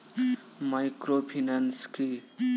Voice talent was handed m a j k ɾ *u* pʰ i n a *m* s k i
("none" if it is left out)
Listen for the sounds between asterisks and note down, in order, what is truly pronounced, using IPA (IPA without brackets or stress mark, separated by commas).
o, n